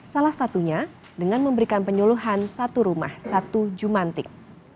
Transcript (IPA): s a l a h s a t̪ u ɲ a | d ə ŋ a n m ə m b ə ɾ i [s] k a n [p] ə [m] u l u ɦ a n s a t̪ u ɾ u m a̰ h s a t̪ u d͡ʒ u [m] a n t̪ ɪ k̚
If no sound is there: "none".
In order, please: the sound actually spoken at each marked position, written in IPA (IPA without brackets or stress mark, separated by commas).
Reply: none, p, ɲ, m